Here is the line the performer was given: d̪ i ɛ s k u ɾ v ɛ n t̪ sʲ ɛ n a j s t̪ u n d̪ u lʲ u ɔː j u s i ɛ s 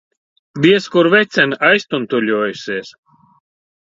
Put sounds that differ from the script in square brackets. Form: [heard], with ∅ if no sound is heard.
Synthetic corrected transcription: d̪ i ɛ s k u ɾ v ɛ [∅] t̪ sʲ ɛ n a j s t̪ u n [t̪] u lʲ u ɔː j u s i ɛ s